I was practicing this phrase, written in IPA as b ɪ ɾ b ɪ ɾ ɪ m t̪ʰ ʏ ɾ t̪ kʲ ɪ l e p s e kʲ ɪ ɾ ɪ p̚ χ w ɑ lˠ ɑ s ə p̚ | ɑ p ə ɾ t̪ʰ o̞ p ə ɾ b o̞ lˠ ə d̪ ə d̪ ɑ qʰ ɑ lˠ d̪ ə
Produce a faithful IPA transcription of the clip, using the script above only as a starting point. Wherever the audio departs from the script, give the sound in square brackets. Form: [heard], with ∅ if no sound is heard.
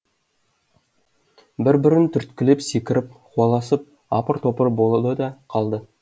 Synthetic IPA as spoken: b ɪ ɾ b ɪ ɾ ɪ [n] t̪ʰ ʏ ɾ t̪ kʲ ɪ l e p s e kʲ ɪ ɾ ɪ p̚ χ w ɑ lˠ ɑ s ə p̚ | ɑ p ə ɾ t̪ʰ o̞ p ə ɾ b o̞ lˠ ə d̪ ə d̪ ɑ qʰ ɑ lˠ d̪ ə